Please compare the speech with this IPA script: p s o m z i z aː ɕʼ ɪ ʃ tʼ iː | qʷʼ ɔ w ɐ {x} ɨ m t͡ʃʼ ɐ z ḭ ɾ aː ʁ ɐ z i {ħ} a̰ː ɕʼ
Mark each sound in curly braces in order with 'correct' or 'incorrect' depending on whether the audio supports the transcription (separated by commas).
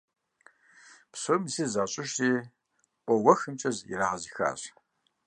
correct, incorrect